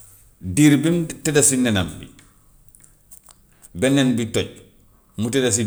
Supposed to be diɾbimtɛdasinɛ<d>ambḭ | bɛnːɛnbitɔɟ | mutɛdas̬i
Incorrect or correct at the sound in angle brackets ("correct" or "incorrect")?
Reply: incorrect